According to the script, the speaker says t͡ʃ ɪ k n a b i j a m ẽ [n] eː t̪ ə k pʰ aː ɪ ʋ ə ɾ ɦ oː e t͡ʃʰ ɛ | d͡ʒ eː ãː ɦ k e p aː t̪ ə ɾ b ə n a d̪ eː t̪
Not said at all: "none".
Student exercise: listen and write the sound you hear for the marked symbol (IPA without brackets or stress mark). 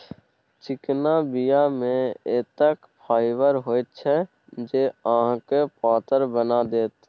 none